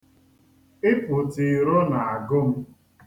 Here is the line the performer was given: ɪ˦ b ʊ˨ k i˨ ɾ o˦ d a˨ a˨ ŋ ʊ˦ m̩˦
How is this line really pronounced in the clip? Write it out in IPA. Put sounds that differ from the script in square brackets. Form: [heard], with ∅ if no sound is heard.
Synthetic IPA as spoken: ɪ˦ [p] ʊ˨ [t] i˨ ɾ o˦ [n] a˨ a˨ [ɡ] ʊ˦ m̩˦